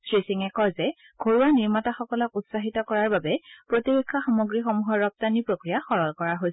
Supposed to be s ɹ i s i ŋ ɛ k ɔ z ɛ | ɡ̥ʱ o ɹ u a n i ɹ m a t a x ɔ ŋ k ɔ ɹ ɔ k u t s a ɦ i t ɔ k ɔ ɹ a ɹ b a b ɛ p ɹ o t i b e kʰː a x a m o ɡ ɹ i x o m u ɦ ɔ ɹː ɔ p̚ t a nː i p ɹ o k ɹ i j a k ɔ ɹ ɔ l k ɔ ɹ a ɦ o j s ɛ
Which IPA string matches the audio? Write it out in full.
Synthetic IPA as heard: s ɹ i s i ŋ ɛ k ɔ z ɛ | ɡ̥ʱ o ɹ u a n i ɹ m a t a x ɔ k ɔ l ɔ k u t s a ɦ i t ɔ k ɔ ɹ a ɹ b a b ɛ p ɹ o t i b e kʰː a x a m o ɡ ɹ i x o m u ɦ ɔ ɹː ɔ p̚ t a n i p ɹ o k ɹ i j a x ɔ ɹ ɔ l k ɔ ɹ a ɦ o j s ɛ